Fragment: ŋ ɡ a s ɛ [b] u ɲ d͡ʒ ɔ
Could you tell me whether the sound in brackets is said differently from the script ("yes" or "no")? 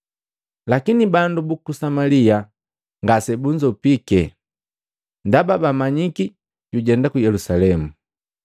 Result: no